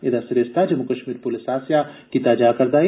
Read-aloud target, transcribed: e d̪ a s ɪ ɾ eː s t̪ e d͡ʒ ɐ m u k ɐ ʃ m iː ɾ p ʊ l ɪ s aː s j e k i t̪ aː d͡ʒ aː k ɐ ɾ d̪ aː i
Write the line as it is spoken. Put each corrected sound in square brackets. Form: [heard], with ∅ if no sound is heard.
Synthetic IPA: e d̪ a s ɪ ɾ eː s t̪ [a] d͡ʒ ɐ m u k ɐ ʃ m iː ɾ p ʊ l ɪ s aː s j [a] k i t̪ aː d͡ʒ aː k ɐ ɾ d̪ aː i